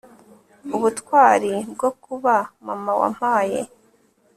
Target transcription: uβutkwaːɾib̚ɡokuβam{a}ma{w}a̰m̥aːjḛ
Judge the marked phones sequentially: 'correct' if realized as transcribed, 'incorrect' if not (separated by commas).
correct, correct